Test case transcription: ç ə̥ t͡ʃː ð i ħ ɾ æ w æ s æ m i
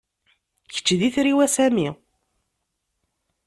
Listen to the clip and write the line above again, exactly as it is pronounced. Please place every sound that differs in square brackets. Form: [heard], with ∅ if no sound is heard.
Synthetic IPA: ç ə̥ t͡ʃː ð i [θ] ɾ [i] w æ s æ m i